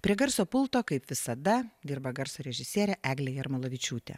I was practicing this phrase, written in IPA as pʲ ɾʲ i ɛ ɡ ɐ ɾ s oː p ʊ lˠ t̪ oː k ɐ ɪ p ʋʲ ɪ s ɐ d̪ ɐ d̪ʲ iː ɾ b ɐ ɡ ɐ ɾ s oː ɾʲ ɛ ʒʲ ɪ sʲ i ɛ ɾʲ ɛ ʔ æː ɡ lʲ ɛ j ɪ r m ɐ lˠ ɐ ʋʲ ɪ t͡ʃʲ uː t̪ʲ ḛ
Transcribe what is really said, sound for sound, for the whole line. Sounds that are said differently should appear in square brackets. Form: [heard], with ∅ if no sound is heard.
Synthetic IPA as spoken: pʲ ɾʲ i ɛ ɡ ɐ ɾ s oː p ʊ lˠ t̪ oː k ɐ ɪ p ʋʲ ɪ s ɐ d̪ ɐ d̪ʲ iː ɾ b ɐ ɡ ɐ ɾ s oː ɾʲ ɛ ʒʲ ɪ sʲ i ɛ ɾʲ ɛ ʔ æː ɡ lʲ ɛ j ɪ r m ɐ lˠ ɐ ʋʲ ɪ t͡ʃʲ uː t̪ʲ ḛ

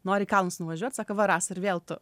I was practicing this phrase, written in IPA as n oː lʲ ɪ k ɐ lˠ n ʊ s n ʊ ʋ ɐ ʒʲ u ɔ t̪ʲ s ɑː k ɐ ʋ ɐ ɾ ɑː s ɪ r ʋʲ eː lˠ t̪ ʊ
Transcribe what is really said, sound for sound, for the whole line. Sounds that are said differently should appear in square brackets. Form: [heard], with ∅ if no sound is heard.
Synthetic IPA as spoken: n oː [ɾʲ] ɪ k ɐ lˠ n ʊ s n ʊ ʋ ɐ ʒʲ u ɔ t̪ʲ s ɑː k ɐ ʋ ɐ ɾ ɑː s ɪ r ʋʲ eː lˠ t̪ ʊ

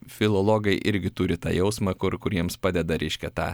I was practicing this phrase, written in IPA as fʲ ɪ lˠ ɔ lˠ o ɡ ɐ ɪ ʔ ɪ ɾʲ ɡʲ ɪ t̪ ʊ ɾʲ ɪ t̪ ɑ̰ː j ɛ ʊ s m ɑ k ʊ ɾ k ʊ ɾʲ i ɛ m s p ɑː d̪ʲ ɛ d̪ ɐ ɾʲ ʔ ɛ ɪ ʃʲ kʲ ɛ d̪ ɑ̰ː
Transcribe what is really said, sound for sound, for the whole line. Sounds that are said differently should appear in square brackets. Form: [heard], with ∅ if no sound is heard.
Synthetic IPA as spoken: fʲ ɪ lˠ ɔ lˠ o ɡ ɐ ɪ ʔ ɪ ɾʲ ɡʲ ɪ t̪ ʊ ɾʲ ɪ t̪ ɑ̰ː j ɛ ʊ s m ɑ k ʊ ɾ k ʊ ɾʲ i ɛ m s p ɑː d̪ʲ ɛ d̪ ɐ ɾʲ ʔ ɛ ɪ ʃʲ kʲ ɛ [t̪] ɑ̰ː

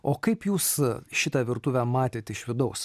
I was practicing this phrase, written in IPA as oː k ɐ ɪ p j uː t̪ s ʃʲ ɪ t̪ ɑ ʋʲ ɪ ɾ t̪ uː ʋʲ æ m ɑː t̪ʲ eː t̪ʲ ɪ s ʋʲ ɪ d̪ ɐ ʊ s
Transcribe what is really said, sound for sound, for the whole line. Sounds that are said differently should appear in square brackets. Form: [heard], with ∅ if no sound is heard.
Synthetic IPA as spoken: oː k ɐ ɪ p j uː [∅] s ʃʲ ɪ t̪ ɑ ʋʲ ɪ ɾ t̪ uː ʋʲ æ m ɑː t̪ʲ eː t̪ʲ ɪ [ʃ] ʋʲ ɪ d̪ ɐ ʊ s

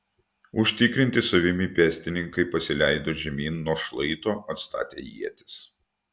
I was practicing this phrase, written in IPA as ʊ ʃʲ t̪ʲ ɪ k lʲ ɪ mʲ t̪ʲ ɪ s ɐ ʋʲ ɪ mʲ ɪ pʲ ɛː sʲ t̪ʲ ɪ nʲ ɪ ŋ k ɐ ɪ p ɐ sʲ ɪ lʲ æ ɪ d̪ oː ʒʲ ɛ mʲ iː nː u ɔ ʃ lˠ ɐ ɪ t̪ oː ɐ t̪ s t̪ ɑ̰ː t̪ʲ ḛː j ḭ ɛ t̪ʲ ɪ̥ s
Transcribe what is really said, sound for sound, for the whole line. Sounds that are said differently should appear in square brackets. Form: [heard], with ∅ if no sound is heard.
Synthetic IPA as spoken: ʊ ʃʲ t̪ʲ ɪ k [ɾʲ] ɪ [nʲ] t̪ʲ ɪ s ɐ ʋʲ ɪ mʲ ɪ pʲ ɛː sʲ t̪ʲ ɪ nʲ ɪ ŋ k ɐ ɪ p ɐ sʲ ɪ lʲ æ ɪ d̪ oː ʒʲ ɛ mʲ iː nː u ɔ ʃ lˠ ɐ ɪ t̪ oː ɐ t̪ s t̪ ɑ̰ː t̪ʲ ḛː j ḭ ɛ t̪ʲ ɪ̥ s

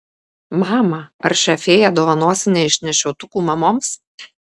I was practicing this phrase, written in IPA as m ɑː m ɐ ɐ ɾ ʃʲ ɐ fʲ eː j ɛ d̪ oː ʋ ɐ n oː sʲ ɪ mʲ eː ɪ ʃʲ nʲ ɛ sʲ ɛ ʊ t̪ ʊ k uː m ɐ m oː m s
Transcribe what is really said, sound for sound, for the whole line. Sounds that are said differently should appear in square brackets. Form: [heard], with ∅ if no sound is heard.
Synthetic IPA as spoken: m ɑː m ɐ ɐ ɾ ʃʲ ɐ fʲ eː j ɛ d̪ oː ʋ ɐ n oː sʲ ɪ [nʲ] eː ɪ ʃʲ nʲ ɛ [ʃʲ] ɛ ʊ t̪ ʊ k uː m ɐ m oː m s

